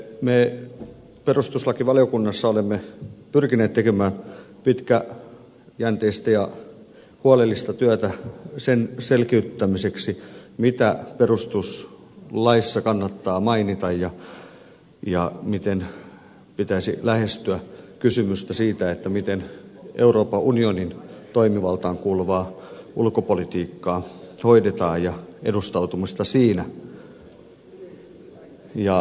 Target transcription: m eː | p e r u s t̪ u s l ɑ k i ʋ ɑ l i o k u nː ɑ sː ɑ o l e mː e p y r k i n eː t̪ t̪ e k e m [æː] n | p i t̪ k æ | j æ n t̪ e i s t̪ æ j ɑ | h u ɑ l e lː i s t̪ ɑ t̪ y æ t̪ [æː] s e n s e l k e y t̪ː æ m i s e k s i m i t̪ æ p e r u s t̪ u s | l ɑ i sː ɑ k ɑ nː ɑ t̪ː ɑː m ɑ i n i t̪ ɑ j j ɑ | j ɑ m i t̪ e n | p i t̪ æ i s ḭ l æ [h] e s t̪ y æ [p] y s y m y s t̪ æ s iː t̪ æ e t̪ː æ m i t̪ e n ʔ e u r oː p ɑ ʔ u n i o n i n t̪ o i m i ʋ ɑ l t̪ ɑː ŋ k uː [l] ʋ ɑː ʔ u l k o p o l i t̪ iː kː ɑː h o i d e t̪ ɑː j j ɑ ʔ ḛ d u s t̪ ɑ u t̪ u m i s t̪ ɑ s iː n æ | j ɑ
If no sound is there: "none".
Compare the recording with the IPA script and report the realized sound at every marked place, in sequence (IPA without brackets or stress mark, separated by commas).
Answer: æː, æ, h, k, l